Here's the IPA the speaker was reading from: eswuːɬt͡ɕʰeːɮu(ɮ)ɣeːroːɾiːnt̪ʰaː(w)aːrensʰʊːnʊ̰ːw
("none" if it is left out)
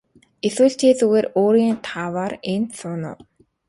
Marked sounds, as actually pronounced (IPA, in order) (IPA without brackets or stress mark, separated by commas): none, w